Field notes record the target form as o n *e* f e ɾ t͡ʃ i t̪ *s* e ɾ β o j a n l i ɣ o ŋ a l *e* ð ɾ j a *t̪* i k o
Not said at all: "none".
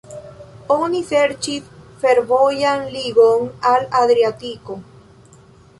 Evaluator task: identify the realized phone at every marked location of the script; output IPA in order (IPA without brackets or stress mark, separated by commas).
i, f, a, t̪